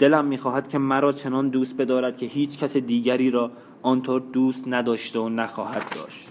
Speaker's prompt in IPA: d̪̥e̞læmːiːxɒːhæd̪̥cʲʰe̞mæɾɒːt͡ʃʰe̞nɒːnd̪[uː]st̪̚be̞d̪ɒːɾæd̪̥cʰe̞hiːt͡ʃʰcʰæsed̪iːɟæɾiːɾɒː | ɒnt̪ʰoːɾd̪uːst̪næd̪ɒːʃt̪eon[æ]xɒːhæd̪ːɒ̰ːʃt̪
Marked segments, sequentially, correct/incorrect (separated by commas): correct, correct